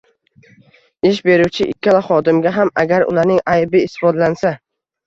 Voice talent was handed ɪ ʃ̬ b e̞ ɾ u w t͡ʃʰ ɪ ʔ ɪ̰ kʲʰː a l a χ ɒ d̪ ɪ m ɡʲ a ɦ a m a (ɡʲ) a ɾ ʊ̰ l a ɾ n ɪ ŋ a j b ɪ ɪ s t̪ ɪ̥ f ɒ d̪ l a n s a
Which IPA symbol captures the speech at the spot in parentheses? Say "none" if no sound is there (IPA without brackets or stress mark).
ɡʲ